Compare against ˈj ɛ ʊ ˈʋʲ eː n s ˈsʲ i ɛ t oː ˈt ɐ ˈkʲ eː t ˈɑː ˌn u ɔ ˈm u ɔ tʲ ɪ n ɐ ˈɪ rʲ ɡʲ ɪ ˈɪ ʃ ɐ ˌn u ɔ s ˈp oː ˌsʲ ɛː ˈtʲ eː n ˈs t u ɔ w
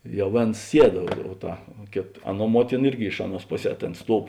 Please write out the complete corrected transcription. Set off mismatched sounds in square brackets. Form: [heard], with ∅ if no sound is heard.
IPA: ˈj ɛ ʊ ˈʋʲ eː n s ˈsʲ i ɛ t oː ˈt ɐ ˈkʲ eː t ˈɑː ˌn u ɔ ˈm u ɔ tʲ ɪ n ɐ ˈɪ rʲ ɡʲ ɪ ˈɪ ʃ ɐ ˌn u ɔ s ˈp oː ˌsʲ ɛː ˈtʲ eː n ˈs t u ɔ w